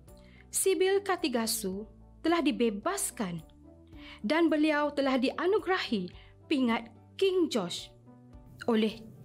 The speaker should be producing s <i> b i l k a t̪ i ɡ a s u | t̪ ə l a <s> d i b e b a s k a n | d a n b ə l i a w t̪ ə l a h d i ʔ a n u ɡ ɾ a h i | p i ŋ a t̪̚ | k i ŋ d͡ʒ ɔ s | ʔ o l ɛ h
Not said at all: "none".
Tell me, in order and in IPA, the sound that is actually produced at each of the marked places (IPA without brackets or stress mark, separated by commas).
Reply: i, h